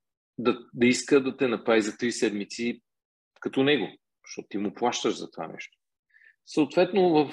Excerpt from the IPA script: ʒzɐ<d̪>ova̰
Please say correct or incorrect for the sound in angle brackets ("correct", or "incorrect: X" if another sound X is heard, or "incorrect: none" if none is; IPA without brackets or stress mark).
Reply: incorrect: t̪